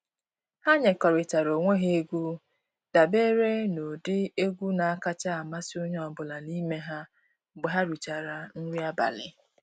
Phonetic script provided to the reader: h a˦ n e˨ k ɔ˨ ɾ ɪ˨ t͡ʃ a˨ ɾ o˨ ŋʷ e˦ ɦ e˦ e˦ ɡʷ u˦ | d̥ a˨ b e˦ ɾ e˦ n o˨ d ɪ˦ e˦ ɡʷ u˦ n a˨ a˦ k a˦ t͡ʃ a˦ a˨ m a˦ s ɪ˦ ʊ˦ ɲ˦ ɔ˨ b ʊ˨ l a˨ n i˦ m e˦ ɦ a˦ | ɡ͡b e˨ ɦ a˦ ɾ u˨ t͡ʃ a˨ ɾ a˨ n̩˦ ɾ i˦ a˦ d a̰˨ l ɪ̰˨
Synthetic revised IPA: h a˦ ɲ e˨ k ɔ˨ ɾ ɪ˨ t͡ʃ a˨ ɾ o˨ ŋʷ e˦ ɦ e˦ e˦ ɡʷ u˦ | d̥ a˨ b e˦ ɾ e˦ n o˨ d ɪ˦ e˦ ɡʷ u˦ n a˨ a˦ k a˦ t͡ʃ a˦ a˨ m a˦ s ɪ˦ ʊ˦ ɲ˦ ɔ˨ b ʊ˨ l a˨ n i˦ m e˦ ɦ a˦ | ɡ͡b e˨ ɦ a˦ ɾ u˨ t͡ʃ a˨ ɾ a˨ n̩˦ ɾ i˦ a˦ b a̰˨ l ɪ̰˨